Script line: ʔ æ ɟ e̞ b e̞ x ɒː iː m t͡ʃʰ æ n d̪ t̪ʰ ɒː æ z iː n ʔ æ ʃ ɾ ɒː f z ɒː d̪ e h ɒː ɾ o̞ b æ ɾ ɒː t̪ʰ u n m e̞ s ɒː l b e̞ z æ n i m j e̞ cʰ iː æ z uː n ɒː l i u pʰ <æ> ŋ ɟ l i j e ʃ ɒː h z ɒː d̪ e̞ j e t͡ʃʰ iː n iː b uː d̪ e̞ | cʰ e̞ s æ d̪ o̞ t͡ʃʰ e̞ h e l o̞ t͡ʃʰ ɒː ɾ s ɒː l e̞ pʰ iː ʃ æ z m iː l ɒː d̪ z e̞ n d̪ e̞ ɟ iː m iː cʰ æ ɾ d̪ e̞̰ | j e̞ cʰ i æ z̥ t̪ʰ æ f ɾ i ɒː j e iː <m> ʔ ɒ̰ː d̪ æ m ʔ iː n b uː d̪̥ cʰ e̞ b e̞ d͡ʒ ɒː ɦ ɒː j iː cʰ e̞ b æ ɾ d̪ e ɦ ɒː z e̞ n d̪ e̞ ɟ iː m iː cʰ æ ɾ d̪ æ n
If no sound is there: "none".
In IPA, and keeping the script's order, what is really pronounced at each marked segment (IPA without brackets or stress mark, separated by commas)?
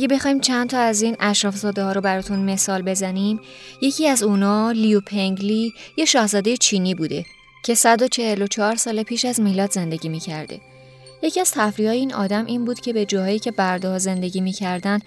e, n